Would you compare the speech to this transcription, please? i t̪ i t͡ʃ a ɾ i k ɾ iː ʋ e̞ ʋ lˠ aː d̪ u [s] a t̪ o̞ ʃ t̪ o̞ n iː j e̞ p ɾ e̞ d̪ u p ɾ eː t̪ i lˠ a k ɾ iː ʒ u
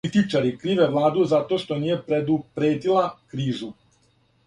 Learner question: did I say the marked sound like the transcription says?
no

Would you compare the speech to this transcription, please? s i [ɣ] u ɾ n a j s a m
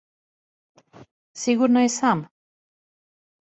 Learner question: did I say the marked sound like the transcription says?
yes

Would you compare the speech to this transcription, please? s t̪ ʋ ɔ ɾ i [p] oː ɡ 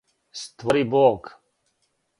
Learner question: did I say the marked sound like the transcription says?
no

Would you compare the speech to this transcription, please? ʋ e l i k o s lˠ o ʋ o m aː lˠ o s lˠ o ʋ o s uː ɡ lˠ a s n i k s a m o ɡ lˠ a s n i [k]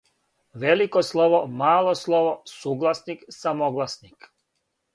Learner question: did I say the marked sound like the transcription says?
yes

